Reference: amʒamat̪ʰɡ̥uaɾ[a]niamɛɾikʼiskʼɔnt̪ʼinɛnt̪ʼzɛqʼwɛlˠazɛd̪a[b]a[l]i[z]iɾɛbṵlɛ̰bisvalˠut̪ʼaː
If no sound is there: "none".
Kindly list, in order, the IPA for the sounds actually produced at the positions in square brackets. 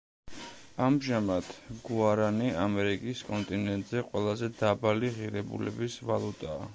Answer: a, b, l, ʁ

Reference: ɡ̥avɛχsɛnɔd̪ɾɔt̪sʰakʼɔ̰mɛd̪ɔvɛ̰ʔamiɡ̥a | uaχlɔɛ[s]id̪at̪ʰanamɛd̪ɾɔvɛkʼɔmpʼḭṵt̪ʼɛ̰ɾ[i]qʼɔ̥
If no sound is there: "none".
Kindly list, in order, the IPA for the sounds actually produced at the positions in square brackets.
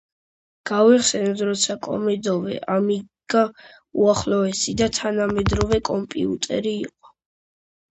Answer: s, iː

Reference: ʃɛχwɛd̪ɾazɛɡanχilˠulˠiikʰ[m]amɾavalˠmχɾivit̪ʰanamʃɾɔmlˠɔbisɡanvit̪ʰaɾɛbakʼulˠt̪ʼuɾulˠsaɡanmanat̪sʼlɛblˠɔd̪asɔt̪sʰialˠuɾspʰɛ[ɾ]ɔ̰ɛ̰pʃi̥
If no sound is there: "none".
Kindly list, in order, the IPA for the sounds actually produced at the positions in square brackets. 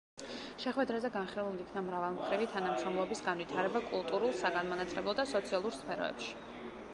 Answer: n, ɾ

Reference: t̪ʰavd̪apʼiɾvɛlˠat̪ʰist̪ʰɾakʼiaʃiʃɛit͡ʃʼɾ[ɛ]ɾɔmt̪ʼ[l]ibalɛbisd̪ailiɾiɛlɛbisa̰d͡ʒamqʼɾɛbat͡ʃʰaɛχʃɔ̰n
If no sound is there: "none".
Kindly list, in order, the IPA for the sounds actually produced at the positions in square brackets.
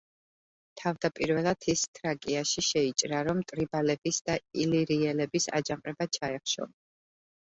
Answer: a, ɾ

